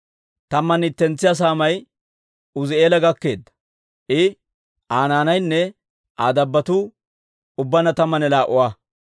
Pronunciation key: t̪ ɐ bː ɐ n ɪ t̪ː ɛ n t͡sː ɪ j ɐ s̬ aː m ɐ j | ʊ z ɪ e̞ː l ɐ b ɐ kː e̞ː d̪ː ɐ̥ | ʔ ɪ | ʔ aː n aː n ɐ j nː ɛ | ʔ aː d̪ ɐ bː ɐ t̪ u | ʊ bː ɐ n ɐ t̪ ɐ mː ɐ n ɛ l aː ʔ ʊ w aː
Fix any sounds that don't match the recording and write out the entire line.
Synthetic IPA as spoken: t̪ ɐ mː ɐ n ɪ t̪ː ɛ n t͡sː ɪ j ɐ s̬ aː m ɐ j | ʊ z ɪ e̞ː l ɐ ɡ ɐ kː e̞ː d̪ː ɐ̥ | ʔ ɪ | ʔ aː n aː n ɐ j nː ɛ | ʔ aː d̪ ɐ bː ɐ t̪ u | ʊ bː ɐ n ɐ t̪ ɐ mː ɐ n ɛ l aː ʔ ʊ w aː